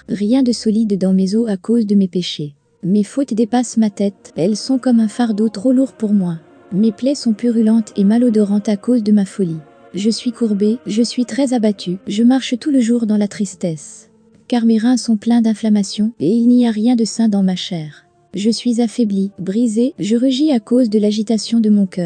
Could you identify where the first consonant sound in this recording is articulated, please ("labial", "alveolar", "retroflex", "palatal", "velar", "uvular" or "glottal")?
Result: uvular